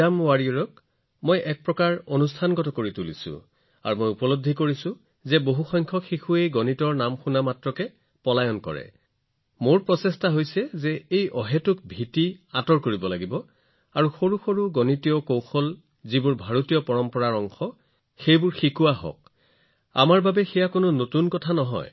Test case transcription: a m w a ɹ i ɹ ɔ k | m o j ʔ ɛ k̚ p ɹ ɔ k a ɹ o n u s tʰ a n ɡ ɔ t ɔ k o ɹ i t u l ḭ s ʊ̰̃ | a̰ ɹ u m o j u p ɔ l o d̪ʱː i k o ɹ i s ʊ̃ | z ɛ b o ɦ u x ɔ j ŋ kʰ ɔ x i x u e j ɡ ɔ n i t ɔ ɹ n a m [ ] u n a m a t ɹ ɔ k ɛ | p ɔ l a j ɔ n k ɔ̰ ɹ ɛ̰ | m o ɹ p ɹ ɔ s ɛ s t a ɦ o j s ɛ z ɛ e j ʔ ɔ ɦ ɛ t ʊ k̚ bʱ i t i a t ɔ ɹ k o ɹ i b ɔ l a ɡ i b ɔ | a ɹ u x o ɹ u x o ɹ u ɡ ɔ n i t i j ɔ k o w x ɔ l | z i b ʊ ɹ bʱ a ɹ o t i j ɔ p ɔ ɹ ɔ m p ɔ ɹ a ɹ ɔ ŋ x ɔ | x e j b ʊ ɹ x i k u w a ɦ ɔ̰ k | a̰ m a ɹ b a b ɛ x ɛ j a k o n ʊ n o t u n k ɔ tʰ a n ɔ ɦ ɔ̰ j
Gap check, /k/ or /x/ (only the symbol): x